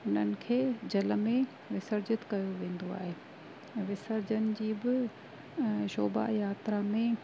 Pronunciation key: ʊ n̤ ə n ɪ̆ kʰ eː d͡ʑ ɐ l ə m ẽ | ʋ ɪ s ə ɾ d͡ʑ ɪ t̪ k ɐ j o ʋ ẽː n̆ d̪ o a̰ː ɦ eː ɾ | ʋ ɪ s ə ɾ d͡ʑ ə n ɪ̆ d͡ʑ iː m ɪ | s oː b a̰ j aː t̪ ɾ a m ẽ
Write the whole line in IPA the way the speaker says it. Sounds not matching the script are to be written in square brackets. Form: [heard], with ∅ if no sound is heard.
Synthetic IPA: ʊ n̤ ə n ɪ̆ kʰ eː d͡ʑ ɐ l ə m ẽ | ʋ ɪ s ə ɾ d͡ʑ ɪ t̪ k ɐ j o ʋ ẽː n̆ d̪ o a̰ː ɦ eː [∅] | ʋ ɪ s ə ɾ d͡ʑ ə n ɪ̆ d͡ʑ iː [b] ɪ | [ʃ] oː b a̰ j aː t̪ ɾ a m ẽ

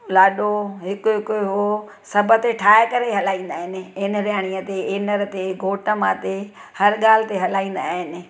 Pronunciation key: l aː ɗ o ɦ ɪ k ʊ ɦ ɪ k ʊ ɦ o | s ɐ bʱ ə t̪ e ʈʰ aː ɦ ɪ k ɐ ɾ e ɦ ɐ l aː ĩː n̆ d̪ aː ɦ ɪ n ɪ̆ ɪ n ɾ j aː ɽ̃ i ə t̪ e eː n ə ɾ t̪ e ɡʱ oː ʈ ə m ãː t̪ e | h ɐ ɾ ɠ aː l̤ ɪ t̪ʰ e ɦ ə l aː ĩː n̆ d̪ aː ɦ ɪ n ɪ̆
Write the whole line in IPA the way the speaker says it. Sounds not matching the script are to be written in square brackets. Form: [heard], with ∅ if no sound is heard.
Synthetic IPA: l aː ɗ o ɦ ɪ k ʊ ɦ ɪ k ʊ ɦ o | s ɐ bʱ ə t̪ e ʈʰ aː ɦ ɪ k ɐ ɾ e ɦ ɐ l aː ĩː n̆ d̪ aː ɦ ɪ n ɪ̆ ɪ n ɾ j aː ɽ̃ i ə t̪ e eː n ə ɾ t̪ e ɡʱ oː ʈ ə m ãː t̪ e | h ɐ ɾ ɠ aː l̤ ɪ [t̪] e ɦ [ɐ] l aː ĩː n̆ d̪ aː ɦ ɪ n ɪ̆

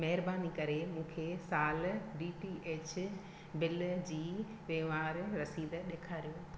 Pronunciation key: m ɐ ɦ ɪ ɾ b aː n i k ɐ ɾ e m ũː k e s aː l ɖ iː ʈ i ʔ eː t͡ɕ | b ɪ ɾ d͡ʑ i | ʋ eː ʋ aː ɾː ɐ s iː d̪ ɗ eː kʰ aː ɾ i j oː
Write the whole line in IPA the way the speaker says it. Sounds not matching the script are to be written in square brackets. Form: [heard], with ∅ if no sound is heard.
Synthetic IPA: m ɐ ɦ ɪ ɾ b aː n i k ɐ ɾ e m ũː [kʰ] e s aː l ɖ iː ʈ i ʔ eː t͡ɕ | b ɪ [l] d͡ʑ [iː] | ʋ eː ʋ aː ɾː ɐ s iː d̪ ɗ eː kʰ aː ɾ i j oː

